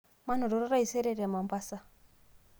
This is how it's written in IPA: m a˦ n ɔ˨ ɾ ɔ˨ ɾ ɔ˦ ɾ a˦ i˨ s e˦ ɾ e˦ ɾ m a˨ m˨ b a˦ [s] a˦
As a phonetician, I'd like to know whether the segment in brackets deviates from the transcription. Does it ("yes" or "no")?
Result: no